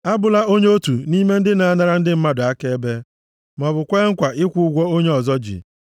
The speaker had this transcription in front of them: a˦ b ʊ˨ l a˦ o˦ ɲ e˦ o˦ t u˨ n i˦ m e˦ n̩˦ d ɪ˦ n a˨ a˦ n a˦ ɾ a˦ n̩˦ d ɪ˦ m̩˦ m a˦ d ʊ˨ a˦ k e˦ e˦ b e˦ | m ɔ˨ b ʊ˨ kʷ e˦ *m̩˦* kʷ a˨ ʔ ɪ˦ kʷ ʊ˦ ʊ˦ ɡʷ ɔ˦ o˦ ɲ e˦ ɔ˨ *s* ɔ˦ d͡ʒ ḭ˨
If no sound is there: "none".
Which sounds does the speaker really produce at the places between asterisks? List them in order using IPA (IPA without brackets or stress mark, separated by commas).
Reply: ŋ̩˦, z